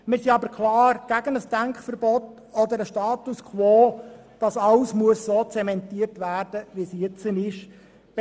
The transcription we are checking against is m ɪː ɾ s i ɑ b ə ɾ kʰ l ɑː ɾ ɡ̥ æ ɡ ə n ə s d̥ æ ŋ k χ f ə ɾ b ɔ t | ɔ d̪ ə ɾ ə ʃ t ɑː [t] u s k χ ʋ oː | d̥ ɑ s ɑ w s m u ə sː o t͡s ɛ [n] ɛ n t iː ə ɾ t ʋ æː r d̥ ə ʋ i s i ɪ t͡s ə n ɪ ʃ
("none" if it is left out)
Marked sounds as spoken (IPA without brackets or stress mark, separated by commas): t, m